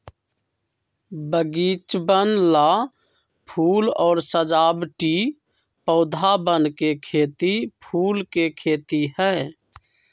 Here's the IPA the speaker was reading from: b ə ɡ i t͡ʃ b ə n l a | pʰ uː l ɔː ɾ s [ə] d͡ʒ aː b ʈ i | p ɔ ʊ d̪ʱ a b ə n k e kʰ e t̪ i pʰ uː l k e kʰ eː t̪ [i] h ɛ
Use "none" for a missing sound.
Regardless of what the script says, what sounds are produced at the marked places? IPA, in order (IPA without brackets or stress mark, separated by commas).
ə, i